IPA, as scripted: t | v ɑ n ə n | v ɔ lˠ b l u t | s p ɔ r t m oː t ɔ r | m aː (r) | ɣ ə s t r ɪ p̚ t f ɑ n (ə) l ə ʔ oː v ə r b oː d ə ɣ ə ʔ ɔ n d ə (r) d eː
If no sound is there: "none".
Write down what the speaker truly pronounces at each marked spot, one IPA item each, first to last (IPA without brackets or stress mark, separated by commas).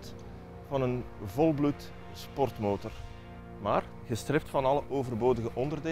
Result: r, ɑ, r